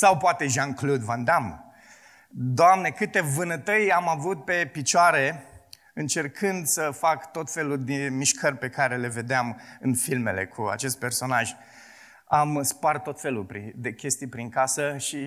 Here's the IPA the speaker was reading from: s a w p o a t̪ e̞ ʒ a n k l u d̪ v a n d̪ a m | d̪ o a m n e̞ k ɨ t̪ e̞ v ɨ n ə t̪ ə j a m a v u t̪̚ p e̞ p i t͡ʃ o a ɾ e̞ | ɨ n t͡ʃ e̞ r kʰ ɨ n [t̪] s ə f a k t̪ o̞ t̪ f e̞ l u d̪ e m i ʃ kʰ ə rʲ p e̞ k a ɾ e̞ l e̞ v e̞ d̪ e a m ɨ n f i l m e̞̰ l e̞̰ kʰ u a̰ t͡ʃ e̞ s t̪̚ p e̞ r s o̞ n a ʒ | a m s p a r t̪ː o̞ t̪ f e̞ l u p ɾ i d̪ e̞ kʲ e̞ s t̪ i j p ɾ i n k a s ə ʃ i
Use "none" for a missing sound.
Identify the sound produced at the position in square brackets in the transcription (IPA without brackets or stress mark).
d̪